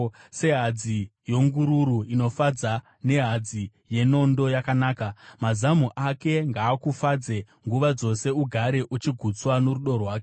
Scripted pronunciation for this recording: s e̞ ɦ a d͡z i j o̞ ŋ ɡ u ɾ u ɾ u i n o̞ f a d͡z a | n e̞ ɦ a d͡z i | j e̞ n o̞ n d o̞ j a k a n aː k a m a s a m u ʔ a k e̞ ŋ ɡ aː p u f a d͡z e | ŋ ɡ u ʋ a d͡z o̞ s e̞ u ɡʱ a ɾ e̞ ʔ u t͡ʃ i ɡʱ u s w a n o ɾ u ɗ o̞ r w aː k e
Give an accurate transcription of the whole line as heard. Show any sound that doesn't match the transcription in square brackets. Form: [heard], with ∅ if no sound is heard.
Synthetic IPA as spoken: s e̞ ɦ a d͡z i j o̞ ŋ ɡ u ɾ u ɾ u i n o̞ f a d͡z a | n e̞ ɦ a d͡z i | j e̞ n o̞ n d o̞ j a k a n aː k a m a [z] a m u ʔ a k e̞ ŋ ɡ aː [k] u f a d͡z e | ŋ ɡ u ʋ a d͡z o̞ s e̞ u ɡʱ a ɾ e̞ ʔ u t͡ʃ i ɡʱ u [t͡s] w a n o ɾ u ɗ o̞ r w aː k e